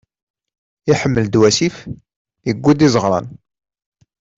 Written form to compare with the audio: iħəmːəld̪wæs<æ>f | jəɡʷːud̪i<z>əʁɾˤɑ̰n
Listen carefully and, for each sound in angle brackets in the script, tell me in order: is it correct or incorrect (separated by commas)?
incorrect, correct